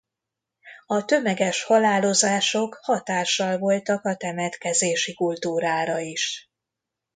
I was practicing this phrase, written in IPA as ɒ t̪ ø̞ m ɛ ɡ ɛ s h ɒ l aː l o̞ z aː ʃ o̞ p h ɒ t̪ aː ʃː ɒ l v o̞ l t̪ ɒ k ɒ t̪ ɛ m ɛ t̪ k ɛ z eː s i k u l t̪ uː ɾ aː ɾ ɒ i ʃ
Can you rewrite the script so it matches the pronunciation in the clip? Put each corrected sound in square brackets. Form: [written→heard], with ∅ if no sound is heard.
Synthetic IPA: ɒ t̪ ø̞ m ɛ ɡ ɛ [s→ʃ] h ɒ l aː l o̞ z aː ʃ o̞ [p→k] h ɒ t̪ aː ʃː ɒ l v o̞ l t̪ ɒ k ɒ t̪ ɛ m ɛ t̪ k ɛ z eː [s→ʃ] i k u l t̪ uː ɾ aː ɾ ɒ i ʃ